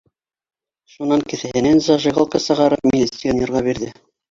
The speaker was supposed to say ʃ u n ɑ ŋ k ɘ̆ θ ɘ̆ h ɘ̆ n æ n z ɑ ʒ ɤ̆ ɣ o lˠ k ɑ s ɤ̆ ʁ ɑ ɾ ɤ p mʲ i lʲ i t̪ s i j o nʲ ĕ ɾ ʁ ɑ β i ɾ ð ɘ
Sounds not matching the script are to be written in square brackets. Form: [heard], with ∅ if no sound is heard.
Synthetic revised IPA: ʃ u n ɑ ŋ k ɘ̆ θ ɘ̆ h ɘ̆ n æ n z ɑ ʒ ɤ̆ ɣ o lˠ k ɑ s ɤ̆ ʁ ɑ ɾ ɤ p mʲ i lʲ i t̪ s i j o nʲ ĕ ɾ ʁ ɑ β i ɾ ð ɘ